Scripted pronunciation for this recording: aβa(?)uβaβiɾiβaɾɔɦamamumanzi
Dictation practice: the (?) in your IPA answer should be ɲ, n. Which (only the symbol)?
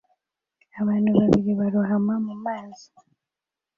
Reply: n